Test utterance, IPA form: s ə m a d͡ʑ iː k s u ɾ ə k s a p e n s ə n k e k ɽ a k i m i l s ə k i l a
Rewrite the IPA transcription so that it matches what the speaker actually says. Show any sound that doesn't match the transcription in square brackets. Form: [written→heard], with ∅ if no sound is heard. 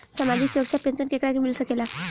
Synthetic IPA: s ə m a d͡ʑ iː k s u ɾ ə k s a p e n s ə n k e k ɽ a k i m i l s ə k [i→e] l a